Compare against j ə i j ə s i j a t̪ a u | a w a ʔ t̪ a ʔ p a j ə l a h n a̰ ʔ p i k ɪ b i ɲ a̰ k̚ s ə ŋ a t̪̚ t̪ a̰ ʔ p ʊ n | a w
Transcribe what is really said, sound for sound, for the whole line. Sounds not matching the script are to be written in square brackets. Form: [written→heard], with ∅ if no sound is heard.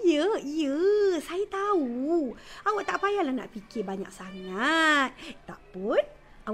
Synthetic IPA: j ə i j ə s [i→a] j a t̪ a u | a w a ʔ t̪ a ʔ p a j [ə→a] l a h n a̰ ʔ p i k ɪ b [i→a] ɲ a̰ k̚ s [ə→a] ŋ a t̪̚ t̪ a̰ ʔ p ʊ n | a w